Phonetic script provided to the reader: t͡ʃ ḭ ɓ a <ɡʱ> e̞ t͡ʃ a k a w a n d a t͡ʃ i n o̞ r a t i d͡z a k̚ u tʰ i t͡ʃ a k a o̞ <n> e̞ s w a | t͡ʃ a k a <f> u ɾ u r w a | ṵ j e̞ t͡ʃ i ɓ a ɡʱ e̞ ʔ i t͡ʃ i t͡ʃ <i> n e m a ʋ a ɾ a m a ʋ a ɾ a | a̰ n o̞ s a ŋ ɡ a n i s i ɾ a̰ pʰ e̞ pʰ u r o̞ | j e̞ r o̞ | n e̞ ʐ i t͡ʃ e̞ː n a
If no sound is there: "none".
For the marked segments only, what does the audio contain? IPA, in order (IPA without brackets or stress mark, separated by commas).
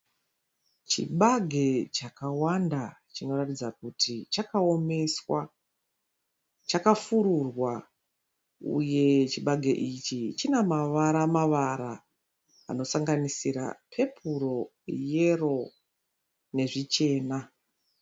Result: ɡʱ, m, f, i